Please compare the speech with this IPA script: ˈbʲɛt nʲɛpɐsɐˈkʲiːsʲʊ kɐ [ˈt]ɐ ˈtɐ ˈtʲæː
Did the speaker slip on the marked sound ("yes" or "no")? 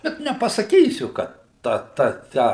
no